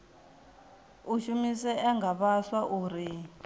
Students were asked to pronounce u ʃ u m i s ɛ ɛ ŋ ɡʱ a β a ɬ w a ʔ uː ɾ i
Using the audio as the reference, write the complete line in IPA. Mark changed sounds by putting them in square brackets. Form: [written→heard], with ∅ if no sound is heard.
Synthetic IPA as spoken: u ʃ u m i s ɛ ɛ ŋ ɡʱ a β a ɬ w a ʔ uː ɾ i